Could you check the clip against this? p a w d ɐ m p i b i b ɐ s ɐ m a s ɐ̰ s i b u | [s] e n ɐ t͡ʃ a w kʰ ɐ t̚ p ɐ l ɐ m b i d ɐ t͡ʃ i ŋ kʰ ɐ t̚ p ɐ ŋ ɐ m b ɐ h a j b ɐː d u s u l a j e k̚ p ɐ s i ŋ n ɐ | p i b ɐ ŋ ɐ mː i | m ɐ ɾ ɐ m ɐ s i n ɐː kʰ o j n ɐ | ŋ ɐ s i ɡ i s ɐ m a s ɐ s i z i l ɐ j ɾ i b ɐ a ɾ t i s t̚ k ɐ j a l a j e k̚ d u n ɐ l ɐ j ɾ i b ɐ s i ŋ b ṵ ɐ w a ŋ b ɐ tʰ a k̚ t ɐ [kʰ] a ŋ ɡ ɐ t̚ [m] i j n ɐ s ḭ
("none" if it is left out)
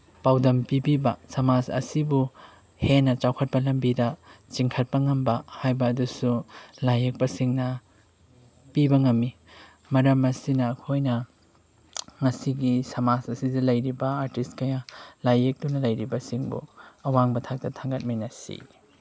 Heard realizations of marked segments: h, tʰ, m

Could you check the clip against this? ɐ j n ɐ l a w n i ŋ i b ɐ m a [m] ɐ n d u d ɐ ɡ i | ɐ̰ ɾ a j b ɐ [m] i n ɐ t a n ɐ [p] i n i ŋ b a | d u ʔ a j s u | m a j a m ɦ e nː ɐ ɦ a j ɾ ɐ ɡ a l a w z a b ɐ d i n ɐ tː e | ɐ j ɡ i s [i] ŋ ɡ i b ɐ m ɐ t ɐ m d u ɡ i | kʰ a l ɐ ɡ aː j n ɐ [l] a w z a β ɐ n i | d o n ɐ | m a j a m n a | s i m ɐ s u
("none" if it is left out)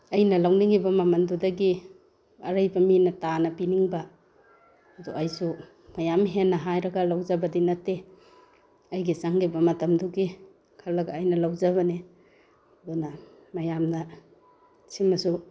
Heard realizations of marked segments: m, m, p, a, l

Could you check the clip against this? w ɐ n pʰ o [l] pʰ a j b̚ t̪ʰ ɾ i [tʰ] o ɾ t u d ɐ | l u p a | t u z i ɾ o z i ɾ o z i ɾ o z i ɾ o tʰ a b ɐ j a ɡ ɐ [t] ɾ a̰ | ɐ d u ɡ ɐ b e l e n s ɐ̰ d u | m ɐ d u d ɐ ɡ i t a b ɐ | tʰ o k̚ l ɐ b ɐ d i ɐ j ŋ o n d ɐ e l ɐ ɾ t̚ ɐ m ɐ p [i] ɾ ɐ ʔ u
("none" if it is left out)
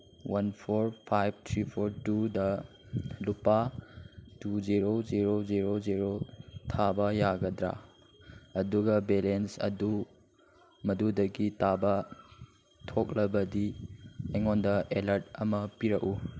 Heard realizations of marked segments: ɾ, pʰ, d, i

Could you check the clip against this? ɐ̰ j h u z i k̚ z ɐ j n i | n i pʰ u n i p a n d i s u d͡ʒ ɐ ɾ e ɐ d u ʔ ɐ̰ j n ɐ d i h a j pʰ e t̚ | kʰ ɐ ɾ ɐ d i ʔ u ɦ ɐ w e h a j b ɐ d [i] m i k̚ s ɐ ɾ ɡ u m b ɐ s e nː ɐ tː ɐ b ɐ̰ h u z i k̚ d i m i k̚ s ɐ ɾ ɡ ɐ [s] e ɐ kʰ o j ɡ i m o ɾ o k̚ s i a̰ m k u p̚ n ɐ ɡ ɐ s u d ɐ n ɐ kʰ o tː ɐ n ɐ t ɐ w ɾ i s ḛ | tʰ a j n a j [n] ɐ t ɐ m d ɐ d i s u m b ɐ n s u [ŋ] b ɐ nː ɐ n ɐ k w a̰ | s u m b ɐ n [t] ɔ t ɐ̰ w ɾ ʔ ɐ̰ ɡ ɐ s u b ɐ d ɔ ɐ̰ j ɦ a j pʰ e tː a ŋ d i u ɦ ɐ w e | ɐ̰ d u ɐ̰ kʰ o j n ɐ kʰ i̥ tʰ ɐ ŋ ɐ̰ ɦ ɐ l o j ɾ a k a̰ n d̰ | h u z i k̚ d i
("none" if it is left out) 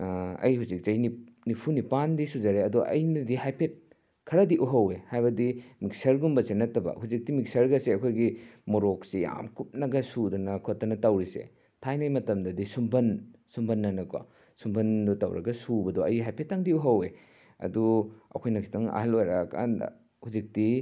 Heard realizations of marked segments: i, s, m, m, d

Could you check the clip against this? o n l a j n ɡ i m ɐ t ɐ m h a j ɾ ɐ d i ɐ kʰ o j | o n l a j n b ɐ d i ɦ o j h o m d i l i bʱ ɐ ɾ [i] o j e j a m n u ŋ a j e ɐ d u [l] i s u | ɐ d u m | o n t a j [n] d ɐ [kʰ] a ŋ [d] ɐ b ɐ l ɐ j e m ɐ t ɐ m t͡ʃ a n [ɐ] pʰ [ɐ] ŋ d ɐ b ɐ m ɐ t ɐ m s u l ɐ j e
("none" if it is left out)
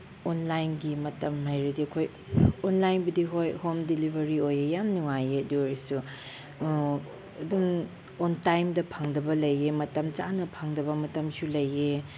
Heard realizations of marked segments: i, ɾ, m, pʰ, d, ɐ, a

